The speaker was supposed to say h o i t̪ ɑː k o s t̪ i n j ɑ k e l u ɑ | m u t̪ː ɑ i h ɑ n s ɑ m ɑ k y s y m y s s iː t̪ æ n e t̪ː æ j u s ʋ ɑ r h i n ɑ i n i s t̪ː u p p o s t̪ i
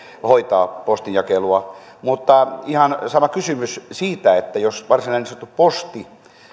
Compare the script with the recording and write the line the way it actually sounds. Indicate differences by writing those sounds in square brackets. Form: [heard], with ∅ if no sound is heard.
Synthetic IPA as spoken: h o i t̪ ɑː [p] o s t̪ i n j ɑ k e l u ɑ | m u t̪ː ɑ i h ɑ n s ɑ m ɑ k y s y m y s s iː t̪ æ [∅] e t̪ː æ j [o] s ʋ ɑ r [s] i n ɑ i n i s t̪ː u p p o s t̪ i